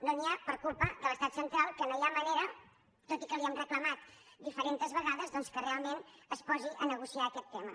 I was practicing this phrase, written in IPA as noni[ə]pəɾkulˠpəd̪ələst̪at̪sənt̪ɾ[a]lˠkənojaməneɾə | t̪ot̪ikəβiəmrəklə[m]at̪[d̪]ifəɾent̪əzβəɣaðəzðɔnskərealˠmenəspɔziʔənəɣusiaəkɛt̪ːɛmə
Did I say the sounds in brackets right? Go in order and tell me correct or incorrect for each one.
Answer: incorrect, correct, correct, correct

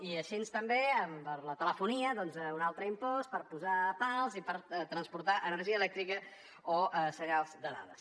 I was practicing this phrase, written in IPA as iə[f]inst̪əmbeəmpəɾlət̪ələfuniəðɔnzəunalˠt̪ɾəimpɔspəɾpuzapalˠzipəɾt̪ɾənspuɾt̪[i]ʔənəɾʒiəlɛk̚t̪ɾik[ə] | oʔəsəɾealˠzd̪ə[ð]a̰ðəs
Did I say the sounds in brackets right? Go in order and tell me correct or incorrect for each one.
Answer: incorrect, incorrect, correct, correct

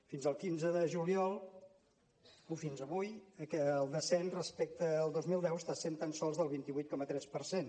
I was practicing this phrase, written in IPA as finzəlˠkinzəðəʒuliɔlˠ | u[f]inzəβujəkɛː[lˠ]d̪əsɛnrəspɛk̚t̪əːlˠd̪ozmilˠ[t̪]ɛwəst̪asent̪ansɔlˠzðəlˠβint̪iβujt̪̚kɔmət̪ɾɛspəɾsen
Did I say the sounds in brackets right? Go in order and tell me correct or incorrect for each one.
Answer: correct, correct, incorrect

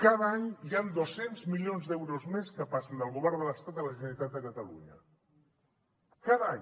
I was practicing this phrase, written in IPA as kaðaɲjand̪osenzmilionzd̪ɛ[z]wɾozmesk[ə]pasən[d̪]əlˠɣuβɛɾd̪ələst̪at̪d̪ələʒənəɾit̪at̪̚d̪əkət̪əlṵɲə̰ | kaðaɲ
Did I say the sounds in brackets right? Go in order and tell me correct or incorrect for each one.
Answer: incorrect, correct, correct

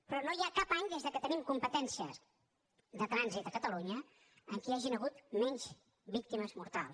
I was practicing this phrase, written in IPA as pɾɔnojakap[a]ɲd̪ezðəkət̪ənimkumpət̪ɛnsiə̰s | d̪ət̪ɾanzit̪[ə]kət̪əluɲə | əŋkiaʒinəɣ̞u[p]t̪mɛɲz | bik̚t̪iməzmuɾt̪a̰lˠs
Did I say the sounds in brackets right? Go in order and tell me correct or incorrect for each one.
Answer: correct, correct, incorrect

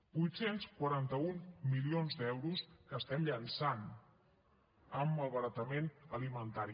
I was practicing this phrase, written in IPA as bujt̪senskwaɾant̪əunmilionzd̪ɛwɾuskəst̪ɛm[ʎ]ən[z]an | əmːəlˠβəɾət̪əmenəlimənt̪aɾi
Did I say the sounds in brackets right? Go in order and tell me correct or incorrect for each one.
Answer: correct, incorrect

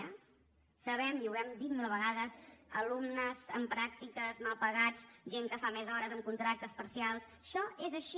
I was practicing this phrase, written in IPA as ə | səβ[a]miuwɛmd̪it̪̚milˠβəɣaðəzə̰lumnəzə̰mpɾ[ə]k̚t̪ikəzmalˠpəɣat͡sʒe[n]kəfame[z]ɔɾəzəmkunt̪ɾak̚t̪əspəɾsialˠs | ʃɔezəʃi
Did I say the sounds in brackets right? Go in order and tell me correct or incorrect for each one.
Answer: incorrect, incorrect, incorrect, correct

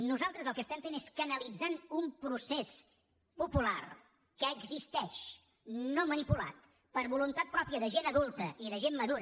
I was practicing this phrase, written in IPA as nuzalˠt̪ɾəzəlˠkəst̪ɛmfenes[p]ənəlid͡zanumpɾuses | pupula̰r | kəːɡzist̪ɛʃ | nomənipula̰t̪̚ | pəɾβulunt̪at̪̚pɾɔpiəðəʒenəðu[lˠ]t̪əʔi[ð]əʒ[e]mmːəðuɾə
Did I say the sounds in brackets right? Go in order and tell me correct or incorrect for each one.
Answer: incorrect, correct, correct, correct

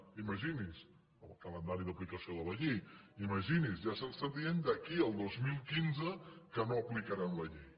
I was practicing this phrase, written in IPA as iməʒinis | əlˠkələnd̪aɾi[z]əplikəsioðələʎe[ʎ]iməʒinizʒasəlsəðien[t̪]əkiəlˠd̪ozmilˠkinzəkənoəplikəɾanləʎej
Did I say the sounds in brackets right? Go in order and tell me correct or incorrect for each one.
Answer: incorrect, incorrect, incorrect

